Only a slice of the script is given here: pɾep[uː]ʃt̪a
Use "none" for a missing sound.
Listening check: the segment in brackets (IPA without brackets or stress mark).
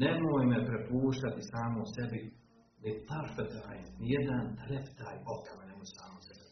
uː